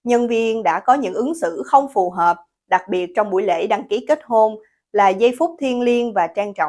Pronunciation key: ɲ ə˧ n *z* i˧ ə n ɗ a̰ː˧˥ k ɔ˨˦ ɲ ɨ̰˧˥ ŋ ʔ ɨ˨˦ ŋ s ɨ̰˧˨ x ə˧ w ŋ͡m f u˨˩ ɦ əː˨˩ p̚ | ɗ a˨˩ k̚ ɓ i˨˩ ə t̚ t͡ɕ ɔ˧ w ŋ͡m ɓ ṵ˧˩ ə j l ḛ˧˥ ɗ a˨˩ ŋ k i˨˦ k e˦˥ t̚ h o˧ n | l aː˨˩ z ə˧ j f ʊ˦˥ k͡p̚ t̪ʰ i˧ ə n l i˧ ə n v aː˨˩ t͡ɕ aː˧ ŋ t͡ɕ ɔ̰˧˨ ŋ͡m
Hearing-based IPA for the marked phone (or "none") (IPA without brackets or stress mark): v